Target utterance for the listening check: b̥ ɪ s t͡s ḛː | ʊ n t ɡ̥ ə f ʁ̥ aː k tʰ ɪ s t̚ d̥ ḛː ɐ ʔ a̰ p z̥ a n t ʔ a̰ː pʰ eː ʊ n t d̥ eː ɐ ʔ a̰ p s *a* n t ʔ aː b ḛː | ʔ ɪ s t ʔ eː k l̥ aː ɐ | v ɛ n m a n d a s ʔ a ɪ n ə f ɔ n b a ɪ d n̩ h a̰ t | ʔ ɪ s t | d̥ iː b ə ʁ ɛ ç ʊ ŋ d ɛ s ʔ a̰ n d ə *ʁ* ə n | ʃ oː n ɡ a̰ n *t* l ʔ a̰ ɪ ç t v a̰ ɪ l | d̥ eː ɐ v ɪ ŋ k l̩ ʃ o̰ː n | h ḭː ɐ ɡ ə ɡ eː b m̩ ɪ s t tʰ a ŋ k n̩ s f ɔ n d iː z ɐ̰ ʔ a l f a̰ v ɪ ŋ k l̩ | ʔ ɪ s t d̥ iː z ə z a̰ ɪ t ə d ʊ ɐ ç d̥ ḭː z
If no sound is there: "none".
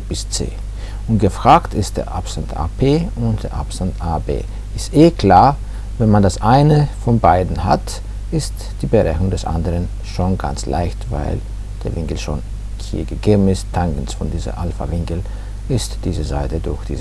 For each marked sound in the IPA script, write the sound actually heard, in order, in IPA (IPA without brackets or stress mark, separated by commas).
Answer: a, ʁ, t͡s